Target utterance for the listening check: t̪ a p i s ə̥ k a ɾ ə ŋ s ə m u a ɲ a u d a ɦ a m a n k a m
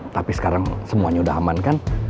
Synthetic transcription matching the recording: t̪ a p i s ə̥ k a ɾ a ŋ s ə m u a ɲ a u d a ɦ a m a n k a n